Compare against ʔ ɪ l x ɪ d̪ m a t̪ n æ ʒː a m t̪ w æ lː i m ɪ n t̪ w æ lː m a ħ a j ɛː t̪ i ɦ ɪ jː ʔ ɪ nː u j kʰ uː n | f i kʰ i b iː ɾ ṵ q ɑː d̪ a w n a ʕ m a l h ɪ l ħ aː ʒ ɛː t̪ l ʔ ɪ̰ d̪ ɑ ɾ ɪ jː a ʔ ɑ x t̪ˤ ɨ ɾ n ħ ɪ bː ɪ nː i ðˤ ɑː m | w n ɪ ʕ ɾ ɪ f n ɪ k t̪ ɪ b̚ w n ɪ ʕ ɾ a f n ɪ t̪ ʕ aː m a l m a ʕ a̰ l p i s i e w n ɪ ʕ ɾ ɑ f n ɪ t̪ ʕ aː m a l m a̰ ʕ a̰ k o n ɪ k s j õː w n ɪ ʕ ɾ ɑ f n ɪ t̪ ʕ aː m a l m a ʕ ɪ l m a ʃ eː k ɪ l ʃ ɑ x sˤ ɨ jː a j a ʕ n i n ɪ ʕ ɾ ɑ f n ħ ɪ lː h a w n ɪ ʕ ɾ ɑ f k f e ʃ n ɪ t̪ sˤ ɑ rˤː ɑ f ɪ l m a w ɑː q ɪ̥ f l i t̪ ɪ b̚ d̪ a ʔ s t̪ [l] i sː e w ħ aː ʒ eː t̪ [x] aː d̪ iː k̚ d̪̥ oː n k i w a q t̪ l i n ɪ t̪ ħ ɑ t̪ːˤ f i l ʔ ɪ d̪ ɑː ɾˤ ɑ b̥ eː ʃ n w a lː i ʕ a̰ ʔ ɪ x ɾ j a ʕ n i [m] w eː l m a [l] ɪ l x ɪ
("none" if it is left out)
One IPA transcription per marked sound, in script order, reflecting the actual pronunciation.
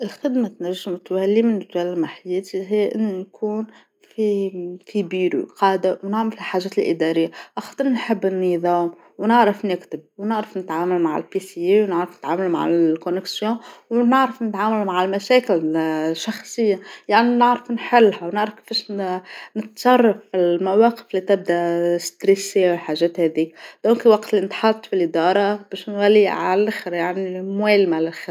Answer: ɾ, h, m, l

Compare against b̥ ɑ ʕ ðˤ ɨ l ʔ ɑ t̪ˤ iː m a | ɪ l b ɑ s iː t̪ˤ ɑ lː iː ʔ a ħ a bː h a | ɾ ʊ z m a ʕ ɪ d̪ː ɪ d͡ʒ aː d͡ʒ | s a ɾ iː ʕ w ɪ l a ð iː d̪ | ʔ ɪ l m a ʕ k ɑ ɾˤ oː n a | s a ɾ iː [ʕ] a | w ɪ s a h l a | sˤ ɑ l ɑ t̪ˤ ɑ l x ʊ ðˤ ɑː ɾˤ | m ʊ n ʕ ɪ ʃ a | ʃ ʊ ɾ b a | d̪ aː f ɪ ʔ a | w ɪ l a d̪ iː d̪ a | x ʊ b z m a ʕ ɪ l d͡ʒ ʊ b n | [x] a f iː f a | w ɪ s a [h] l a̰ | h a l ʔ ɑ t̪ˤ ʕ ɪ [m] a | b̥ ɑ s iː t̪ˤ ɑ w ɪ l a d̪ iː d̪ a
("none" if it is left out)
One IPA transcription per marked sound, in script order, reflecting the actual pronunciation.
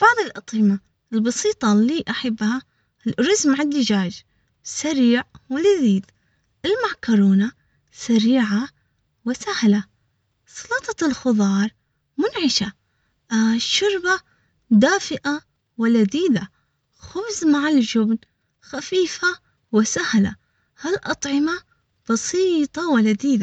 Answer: ʕ, x, h, m

